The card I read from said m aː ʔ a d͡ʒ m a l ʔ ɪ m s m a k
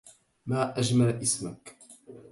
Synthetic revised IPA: m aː ʔ a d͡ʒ m a l ʔ ɪ s m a k